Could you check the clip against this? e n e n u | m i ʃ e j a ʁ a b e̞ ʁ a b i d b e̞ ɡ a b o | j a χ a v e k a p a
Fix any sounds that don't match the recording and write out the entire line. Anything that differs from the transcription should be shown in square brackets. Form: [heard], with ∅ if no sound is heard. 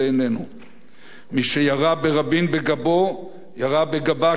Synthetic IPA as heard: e n e n u | m i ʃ e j a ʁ a b e̞ ʁ a b i [n] b e̞ ɡ a b o | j a [ʁ] a [b] e [ɡ] a [b] a

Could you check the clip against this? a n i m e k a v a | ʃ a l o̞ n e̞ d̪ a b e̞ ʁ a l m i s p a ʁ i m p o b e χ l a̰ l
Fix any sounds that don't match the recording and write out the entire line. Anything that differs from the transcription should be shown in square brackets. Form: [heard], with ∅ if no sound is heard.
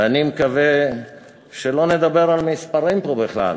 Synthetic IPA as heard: a n i m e k a v [e] | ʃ [e] l o̞ n e̞ d̪ a b e̞ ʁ a l m i s p a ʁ i m p o b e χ l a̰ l

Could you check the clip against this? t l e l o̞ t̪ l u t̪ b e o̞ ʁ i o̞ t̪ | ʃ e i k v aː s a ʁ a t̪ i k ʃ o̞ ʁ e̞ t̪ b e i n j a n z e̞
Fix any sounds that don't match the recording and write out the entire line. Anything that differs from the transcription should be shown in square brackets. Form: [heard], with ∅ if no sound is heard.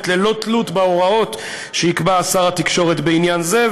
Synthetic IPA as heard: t l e l o̞ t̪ l u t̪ b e o̞ ʁ [a] o̞ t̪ | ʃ e i k [b] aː s a ʁ a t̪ i k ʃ o̞ ʁ e̞ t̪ b e i n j a n z e̞

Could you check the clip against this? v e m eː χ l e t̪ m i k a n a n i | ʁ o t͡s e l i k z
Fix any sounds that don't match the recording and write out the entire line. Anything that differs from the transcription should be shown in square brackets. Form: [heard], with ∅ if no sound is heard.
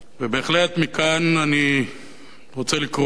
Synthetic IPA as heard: v e [b] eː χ l e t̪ m i k a n a n i | ʁ o t͡s e l i k [ʁ]

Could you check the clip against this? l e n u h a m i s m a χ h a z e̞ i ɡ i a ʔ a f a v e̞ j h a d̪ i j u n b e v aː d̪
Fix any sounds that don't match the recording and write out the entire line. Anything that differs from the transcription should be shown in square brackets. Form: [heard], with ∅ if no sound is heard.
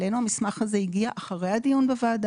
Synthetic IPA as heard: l e n u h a m i s m a χ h a z e̞ i ɡ i a ʔ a [χ] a [ʁ] e̞ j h a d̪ i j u n b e v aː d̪

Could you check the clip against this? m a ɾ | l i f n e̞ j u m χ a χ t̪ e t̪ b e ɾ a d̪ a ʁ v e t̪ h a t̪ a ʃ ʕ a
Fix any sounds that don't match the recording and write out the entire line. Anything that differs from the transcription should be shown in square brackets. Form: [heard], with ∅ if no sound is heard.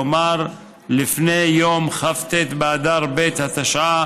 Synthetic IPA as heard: m a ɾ | l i f n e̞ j [o] m χ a [f] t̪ e t̪ b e [∅] a d̪ a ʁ [b] e t̪ h a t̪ a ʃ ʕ a

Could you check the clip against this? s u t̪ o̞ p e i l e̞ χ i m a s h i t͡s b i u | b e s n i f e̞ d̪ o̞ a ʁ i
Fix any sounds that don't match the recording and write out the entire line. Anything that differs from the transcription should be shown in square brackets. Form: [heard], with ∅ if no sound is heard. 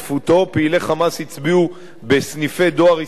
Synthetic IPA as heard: [f] u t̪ o̞ p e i l e̞ χ [a] m a s h i t͡s b i u | b e s n i f e̞ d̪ o̞ a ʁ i

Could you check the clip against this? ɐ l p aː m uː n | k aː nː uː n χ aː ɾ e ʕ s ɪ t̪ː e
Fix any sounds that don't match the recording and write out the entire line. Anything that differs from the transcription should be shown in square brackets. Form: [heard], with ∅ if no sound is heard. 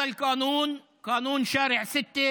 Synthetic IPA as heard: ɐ l [k] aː [n] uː n | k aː [n] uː n [ʃ] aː ɾ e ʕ s ɪ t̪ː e

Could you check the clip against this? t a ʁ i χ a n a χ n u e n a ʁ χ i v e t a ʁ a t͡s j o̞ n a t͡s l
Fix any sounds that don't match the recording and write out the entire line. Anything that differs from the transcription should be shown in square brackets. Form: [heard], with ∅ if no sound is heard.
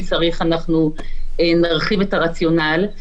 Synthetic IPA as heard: [t͡s] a ʁ i χ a n a χ n u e n a ʁ χ i v e t a ʁ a t͡s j o̞ n a [∅] l

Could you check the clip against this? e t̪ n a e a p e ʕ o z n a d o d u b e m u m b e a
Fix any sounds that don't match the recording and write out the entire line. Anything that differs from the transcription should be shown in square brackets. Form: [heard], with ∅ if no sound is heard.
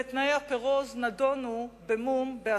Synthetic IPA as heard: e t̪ n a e a p e [ʁ] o z n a d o [n] u b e m u m b e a

